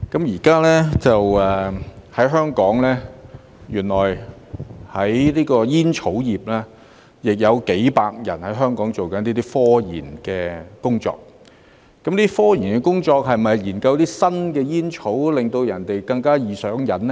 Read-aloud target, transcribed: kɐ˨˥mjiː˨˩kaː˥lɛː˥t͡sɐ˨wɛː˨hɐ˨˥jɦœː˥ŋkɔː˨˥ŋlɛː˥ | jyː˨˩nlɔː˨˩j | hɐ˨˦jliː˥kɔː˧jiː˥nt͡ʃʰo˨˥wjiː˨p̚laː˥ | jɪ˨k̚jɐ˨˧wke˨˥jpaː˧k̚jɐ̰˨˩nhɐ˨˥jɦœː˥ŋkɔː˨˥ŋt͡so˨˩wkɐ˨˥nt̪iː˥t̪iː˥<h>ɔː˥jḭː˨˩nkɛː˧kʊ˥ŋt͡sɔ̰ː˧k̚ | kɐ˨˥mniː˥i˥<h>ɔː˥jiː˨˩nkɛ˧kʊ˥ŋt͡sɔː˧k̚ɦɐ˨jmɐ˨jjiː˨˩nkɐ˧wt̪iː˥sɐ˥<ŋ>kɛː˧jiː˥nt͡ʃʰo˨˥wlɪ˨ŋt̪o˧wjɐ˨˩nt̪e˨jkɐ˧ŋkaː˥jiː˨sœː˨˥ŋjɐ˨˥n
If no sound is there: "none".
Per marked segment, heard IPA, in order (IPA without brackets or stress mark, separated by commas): f, f, n